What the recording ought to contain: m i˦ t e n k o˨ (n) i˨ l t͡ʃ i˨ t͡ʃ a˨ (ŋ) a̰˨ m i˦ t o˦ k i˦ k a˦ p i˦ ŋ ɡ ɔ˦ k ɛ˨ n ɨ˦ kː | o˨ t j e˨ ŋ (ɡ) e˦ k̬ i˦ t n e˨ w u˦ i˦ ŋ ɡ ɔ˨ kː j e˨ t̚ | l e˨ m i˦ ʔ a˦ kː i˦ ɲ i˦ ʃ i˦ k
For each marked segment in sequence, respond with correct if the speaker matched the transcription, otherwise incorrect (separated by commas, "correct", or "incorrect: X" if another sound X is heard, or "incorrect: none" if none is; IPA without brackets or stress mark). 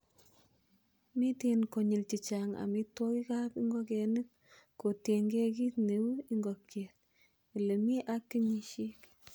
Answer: incorrect: ɲ, correct, correct